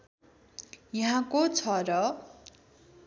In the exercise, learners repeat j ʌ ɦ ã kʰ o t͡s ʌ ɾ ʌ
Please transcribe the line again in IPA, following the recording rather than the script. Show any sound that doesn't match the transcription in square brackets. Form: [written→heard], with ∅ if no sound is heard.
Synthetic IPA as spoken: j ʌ ɦ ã [kʰ→k] o [t͡s→t͡sʰ] ʌ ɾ ʌ